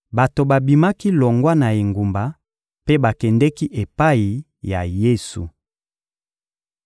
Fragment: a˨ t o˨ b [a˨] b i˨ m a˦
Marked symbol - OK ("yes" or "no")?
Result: yes